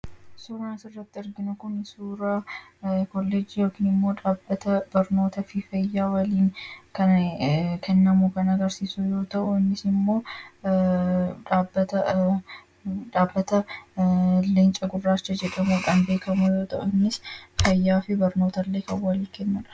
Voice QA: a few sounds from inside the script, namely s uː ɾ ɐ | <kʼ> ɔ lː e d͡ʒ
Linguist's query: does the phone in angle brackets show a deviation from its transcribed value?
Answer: yes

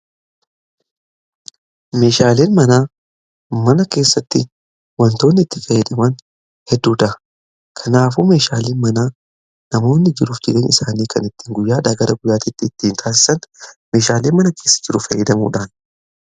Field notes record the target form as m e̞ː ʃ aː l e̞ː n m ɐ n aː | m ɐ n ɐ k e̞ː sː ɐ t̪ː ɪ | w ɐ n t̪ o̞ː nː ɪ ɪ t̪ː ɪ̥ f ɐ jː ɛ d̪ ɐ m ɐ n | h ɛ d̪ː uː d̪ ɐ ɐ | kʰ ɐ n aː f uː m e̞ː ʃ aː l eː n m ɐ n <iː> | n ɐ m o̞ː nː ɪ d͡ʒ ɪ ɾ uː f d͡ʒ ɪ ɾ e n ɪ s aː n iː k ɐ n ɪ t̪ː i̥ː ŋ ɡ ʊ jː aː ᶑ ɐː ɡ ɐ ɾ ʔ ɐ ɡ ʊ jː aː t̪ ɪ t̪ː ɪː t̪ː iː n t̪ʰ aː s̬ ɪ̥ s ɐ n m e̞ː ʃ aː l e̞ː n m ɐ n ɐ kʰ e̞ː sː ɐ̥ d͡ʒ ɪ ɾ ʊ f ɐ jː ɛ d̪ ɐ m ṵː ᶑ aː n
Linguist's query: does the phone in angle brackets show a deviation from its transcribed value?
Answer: yes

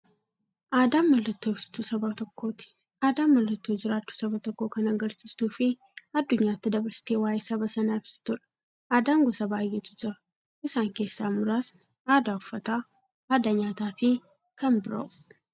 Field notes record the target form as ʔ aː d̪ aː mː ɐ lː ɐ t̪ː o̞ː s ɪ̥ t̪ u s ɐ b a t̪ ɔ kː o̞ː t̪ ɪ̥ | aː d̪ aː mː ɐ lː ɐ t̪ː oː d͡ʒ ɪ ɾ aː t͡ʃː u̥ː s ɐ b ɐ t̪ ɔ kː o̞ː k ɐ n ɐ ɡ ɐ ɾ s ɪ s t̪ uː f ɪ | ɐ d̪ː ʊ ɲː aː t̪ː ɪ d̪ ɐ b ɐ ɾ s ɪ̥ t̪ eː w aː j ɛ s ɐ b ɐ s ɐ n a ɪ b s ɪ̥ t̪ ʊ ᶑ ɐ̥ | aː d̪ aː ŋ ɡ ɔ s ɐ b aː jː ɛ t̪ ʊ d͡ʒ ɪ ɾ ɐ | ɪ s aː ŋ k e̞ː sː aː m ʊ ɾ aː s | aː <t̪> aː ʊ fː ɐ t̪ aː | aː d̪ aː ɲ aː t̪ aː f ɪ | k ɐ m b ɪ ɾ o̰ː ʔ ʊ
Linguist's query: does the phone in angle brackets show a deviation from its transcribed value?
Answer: yes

